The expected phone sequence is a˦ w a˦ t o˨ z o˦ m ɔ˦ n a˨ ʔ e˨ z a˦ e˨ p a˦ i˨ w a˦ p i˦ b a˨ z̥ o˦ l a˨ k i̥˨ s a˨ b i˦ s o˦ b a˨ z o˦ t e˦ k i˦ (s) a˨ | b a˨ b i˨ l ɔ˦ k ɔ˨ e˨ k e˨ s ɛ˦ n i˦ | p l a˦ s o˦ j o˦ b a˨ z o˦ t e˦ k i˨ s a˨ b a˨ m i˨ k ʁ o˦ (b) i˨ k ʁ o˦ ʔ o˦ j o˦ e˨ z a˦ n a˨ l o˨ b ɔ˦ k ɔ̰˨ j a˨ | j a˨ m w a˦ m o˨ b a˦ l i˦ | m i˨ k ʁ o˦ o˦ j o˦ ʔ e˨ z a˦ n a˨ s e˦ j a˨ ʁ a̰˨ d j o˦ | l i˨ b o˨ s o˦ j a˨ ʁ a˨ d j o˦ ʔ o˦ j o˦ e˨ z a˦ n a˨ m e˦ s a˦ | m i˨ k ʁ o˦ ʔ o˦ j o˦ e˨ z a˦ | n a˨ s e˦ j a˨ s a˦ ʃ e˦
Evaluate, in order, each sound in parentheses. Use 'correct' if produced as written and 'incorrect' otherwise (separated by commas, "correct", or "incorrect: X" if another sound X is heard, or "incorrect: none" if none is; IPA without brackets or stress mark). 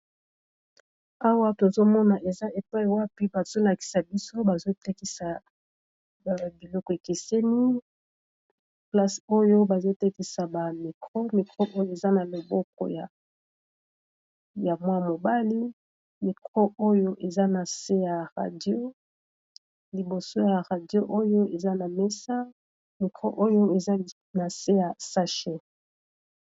correct, incorrect: m